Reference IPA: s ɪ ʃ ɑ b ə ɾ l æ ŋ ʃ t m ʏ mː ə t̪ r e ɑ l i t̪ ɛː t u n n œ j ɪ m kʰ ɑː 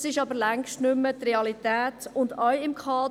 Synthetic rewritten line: s ɪ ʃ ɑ b ə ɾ l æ ŋ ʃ t n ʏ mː ə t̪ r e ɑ l i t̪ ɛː t ʊ n d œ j ɪ m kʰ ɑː